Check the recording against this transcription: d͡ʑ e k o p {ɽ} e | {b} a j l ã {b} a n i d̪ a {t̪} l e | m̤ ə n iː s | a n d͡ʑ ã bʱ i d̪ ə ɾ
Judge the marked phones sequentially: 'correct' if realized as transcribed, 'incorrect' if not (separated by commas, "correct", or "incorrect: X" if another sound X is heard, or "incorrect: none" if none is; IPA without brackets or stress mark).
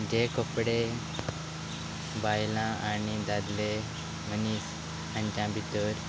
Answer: correct, correct, incorrect: none, incorrect: d̪